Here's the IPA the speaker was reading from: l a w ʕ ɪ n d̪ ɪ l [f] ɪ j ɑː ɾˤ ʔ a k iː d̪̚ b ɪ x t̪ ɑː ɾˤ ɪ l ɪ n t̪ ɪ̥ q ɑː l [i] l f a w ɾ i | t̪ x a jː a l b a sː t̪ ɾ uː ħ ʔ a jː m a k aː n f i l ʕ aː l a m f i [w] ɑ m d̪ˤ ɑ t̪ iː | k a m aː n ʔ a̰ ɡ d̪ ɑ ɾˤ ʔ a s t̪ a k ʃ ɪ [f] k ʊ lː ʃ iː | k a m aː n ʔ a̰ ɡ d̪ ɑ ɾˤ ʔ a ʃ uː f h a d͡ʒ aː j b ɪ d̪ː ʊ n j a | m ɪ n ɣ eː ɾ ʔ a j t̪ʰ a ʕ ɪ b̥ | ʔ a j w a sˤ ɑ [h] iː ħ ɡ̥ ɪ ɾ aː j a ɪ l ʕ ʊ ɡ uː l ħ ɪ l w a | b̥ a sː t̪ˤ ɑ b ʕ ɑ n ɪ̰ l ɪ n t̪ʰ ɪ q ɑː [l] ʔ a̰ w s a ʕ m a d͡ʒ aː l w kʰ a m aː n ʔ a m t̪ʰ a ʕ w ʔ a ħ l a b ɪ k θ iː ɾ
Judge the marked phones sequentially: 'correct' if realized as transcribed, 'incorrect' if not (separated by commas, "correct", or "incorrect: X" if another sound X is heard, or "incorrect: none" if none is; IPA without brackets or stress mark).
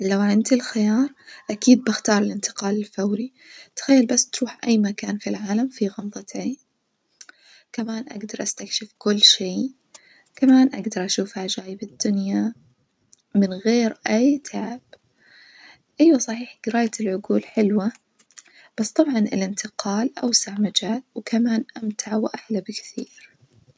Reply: incorrect: x, incorrect: ɪ, incorrect: ɣ, correct, incorrect: ħ, correct